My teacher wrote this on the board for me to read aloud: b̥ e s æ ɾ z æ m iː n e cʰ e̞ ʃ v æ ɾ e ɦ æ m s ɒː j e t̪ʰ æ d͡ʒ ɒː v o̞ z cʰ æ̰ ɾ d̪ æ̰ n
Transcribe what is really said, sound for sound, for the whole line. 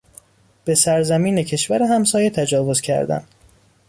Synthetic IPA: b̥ e s æ ɾ z æ m iː n e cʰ e̞ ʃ v æ ɾ e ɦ æ m s ɒː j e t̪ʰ æ d͡ʒ ɒː v o̞ z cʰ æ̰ ɾ d̪ æ̰ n